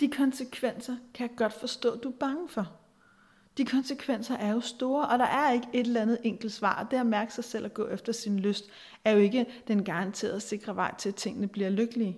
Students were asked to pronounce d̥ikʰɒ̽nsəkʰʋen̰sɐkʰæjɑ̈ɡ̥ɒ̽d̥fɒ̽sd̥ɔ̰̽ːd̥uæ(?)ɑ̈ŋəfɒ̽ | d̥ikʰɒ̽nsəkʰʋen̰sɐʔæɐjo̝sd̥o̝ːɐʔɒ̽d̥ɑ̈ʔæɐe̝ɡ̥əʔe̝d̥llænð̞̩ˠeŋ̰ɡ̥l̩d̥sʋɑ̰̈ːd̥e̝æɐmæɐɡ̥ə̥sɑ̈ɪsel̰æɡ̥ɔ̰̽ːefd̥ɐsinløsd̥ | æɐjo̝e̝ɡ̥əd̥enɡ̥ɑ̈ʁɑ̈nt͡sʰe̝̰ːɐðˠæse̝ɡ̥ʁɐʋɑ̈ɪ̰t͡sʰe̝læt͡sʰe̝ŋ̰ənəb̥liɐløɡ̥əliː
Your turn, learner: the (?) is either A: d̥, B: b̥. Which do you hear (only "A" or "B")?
B